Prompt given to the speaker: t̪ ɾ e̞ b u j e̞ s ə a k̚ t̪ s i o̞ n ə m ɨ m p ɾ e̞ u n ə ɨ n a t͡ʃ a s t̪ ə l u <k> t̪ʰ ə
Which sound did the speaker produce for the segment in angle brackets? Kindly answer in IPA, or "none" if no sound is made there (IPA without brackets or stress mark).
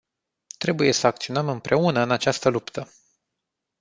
p